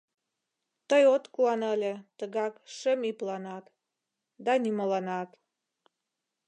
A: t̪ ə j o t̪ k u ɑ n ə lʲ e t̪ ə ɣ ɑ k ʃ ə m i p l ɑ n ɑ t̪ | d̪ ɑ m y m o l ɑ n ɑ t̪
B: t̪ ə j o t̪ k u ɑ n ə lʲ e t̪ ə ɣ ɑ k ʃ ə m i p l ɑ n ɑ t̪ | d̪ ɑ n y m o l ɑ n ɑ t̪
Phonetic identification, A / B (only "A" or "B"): B